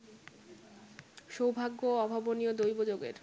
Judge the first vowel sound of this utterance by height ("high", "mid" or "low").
mid